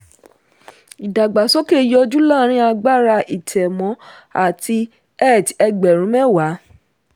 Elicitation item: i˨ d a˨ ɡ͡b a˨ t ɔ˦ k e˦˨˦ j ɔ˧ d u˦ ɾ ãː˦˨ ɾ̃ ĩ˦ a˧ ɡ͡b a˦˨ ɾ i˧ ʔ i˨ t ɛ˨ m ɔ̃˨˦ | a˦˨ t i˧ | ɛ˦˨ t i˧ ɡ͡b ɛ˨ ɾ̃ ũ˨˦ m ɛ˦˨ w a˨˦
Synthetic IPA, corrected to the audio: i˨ d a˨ ɡ͡b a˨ s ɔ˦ k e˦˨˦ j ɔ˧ d͡ʒ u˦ l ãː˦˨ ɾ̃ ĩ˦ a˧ ɡ͡b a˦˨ ɾ a˧ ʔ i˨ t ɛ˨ m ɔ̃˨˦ | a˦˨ t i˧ | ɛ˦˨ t ɛ˧ ɡ͡b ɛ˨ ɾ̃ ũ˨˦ m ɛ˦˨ w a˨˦